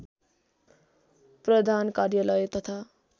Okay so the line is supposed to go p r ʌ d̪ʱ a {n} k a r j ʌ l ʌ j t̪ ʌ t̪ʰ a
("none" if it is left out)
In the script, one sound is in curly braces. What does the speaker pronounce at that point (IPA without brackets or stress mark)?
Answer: n